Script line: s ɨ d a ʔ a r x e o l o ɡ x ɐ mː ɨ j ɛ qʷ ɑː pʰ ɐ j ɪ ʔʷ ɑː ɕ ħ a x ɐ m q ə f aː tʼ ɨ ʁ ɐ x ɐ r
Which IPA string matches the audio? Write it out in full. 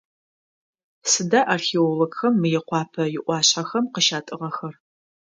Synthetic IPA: s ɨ d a ʔ a r x e o l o ɡ x ɐ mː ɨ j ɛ qʷ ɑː pʰ ɐ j ɪ ʔʷ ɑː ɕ ħ a x ɐ m q ə ʃ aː tʼ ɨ ʁ ɐ x ɐ r